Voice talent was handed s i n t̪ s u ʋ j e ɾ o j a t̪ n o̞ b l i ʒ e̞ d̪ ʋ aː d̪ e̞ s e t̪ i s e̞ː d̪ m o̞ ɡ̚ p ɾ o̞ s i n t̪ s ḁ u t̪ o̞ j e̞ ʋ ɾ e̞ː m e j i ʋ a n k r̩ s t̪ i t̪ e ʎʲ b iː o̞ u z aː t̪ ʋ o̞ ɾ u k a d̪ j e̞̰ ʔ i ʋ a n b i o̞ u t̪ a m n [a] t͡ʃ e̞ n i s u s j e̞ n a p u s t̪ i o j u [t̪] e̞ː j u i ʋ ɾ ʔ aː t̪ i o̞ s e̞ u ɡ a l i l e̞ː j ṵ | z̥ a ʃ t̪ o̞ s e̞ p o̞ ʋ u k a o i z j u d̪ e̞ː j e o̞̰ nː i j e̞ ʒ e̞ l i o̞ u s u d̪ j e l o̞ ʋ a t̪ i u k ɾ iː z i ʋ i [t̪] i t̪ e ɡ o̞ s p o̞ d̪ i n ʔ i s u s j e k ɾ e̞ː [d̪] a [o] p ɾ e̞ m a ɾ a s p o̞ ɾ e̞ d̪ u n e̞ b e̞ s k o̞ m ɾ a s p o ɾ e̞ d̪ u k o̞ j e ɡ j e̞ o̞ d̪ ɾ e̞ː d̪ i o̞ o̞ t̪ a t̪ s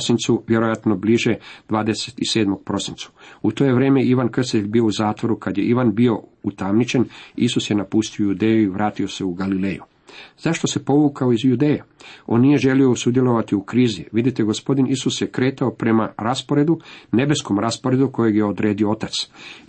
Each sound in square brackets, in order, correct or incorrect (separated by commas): incorrect, incorrect, incorrect, incorrect, correct